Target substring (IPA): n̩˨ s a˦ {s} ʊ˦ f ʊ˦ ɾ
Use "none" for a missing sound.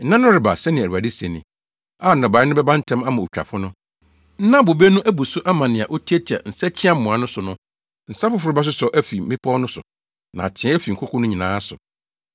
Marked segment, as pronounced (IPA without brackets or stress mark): f